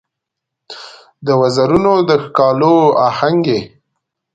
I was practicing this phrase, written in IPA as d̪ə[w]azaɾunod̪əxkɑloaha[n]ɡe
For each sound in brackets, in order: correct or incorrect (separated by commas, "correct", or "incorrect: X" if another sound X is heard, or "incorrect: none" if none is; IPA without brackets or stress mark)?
correct, incorrect: ŋ